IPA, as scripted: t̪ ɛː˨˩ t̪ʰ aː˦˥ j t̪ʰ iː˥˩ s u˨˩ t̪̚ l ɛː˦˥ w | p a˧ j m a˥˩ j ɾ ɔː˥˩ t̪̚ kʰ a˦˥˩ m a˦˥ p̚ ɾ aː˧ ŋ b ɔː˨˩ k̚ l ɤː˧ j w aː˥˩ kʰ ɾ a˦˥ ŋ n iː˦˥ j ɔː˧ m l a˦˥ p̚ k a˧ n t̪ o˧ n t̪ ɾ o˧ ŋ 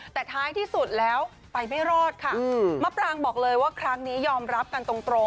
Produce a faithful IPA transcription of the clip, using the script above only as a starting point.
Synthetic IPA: t̪ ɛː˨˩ t̪ʰ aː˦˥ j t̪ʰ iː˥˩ s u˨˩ t̪̚ l ɛː˦˥ w | p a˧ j m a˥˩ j ɾ ɔː˥˩ t̪̚ kʰ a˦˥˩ m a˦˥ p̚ ɾ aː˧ ŋ b ɔː˨˩ k̚ l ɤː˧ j w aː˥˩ kʰ ɾ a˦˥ ŋ n iː˦˥ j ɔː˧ m ɾ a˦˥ p̚ k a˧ n t̪ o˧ ŋ t̪ ɾ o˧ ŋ